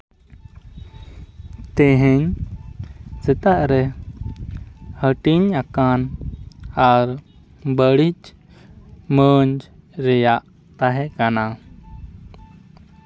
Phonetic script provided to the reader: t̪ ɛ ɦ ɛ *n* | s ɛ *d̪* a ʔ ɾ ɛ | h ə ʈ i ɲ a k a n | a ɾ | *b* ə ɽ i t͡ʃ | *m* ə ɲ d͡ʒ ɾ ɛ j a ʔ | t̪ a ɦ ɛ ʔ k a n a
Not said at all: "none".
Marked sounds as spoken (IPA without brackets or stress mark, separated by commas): ɲ, t̪, b, m